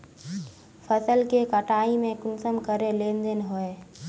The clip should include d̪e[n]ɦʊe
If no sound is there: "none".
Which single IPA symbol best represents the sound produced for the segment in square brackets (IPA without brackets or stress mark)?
n